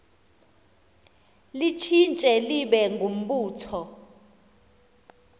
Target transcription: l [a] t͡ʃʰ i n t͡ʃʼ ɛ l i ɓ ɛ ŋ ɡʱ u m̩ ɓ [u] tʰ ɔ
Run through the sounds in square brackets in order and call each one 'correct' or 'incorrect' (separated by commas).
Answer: incorrect, incorrect